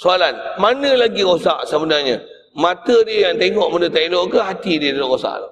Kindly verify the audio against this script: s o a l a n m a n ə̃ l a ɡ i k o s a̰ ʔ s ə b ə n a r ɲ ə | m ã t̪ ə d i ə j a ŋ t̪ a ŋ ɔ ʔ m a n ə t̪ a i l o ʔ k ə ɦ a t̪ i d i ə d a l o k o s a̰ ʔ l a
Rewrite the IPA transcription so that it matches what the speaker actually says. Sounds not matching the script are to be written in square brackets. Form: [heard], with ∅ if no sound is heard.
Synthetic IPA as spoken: s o a l a n m a n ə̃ l a ɡ i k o s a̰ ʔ s ə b ə n a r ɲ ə | m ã t̪ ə d i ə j a ŋ t̪ [e] ŋ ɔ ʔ m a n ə t̪ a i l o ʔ k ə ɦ a t̪ i d i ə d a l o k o s a̰ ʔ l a